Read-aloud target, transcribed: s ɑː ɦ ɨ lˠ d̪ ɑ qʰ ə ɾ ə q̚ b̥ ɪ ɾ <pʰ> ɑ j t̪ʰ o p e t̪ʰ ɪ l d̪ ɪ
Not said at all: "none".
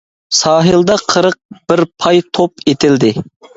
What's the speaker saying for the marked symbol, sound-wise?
pʰ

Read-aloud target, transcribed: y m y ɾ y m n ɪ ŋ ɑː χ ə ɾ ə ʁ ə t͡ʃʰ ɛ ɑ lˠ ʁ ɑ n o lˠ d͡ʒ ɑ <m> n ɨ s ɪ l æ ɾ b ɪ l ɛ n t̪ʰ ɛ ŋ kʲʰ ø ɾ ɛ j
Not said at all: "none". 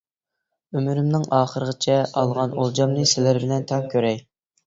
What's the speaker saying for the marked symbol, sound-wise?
m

